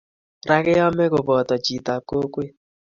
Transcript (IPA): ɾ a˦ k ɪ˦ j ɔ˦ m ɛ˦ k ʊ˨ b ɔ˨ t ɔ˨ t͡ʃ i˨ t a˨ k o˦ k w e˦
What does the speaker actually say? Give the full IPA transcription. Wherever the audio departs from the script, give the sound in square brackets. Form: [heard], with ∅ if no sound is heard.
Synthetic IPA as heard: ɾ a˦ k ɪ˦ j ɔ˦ m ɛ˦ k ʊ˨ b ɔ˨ t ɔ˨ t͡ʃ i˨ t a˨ k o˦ k w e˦